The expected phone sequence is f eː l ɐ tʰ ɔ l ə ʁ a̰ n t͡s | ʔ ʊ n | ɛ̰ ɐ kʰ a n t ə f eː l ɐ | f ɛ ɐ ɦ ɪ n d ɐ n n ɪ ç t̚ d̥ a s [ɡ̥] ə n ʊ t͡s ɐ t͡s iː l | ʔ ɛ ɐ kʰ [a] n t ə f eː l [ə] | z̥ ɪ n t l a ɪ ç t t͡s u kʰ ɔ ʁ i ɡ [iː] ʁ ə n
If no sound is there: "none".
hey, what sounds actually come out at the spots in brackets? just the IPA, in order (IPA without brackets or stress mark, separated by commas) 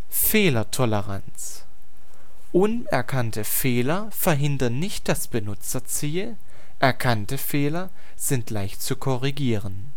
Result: b̥, a, ɐ, iː